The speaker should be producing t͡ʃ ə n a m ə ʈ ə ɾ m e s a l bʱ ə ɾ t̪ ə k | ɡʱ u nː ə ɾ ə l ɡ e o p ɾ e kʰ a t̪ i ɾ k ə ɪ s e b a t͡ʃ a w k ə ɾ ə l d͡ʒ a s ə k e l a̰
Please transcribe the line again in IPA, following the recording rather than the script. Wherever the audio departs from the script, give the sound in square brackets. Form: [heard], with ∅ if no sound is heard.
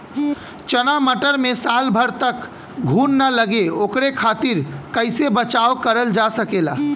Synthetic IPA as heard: t͡ʃ ə n a m ə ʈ ə ɾ m e s a l bʱ ə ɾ t̪ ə k | ɡʱ u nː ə [l] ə [∅] ɡ e o [k] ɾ e kʰ a t̪ i ɾ k ə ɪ s e b [ə] t͡ʃ a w k ə ɾ ə l d͡ʒ a s ə k e l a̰